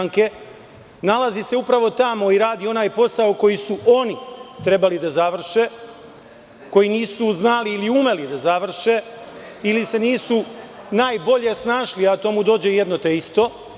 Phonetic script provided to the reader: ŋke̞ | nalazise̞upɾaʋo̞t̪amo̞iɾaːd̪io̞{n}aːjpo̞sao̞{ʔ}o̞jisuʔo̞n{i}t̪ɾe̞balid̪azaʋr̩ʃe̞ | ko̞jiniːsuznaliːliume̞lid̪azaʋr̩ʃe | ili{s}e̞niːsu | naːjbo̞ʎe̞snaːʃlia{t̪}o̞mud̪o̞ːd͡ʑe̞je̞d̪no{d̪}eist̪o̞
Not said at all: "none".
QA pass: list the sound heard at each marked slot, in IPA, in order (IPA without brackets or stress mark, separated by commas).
n, k, i, s, t̪, t̪